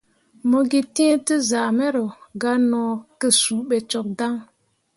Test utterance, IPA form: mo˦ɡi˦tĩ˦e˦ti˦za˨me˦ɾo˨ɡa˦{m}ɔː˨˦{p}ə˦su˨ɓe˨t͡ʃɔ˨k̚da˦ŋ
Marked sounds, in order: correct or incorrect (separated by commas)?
incorrect, incorrect